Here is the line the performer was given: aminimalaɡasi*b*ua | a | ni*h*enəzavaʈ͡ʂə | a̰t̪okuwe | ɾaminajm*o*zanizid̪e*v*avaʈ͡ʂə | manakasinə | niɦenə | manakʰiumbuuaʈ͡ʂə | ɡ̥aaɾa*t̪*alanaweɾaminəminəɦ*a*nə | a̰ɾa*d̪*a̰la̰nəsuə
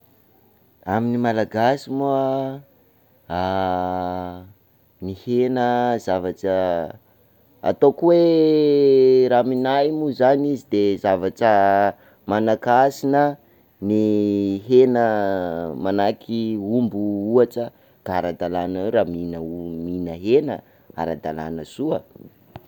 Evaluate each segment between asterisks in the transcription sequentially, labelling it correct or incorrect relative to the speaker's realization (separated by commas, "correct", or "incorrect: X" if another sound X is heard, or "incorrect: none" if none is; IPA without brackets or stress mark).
incorrect: m, correct, incorrect: u, incorrect: z, incorrect: d̪, incorrect: e, correct